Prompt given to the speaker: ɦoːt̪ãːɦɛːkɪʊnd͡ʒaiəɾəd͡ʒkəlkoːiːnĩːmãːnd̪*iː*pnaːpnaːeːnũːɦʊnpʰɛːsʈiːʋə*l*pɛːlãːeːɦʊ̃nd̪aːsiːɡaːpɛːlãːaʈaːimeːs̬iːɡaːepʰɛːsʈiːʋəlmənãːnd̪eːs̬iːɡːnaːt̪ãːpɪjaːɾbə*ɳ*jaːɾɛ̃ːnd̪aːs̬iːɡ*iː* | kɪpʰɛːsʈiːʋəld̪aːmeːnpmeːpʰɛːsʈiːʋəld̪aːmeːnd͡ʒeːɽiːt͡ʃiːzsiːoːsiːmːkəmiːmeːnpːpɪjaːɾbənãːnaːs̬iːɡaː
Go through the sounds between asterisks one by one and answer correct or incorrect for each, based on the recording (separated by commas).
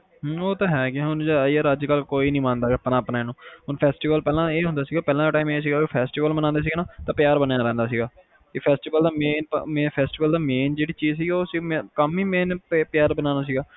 incorrect, correct, incorrect, incorrect